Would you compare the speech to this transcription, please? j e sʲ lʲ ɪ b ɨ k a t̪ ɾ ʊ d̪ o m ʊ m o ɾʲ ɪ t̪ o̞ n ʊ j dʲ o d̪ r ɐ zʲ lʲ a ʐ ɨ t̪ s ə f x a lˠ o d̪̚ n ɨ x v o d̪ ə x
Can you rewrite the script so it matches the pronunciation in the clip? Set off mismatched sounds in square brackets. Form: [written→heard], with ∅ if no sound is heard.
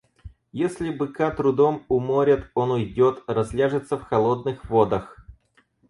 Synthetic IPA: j e sʲ lʲ ɪ b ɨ k a t̪ ɾ ʊ d̪ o m ʊ m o ɾʲ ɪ t̪ o̞ n ʊ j dʲ o [d̪→t̪] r ɐ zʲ lʲ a ʐ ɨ t̪ s ə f x [a→ɐ] lˠ o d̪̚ n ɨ x v o d̪ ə x